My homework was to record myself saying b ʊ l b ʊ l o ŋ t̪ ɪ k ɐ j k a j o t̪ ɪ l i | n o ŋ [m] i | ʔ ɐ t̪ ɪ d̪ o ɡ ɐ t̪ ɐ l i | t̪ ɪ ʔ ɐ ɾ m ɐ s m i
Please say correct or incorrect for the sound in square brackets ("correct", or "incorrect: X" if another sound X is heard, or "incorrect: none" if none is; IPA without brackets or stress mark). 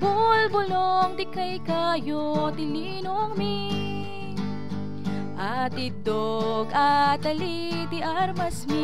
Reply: correct